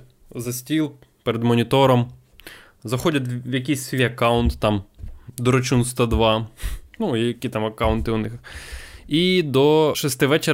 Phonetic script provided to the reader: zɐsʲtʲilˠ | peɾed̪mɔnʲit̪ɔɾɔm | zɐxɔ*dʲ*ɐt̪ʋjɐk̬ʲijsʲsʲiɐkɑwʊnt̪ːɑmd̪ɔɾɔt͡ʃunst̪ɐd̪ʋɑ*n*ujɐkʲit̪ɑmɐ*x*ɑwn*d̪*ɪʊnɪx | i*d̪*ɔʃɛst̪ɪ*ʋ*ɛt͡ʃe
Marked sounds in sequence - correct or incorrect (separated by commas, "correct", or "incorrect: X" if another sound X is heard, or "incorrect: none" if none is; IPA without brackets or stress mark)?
correct, correct, incorrect: k, incorrect: t̪, correct, correct